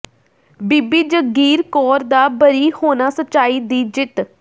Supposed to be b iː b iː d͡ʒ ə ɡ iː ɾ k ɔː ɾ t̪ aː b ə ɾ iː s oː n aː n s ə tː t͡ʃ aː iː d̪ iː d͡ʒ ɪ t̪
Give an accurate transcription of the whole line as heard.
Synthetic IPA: b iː b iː d͡ʒ ə ɡ iː ɾ k ɔː ɾ d̪ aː b ə ɾ iː h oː n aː s ə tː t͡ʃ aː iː d̪ iː d͡ʒ ɪ t̪